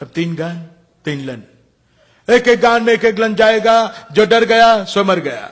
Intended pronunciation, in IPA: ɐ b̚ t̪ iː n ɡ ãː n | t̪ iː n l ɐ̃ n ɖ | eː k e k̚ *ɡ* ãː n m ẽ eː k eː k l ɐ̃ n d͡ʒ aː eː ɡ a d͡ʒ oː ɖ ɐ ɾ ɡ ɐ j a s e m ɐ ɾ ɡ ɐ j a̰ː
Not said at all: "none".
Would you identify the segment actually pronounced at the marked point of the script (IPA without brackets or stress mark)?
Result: ɡ